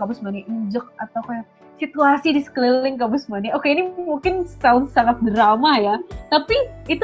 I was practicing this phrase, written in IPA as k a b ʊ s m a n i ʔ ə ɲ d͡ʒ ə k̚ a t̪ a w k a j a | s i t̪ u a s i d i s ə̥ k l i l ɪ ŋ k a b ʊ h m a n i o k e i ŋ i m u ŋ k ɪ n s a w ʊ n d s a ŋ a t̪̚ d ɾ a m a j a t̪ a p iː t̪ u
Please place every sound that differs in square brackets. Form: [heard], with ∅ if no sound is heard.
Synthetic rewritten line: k a b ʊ s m a n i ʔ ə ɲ d͡ʒ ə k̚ a t̪ a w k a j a | s i t̪ u a s i d i s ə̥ k l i l ɪ ŋ k a b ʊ [s] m a n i o k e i [n] i m u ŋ k ɪ n s a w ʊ n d s a ŋ a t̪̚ d ɾ a m a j a t̪ a p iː t̪ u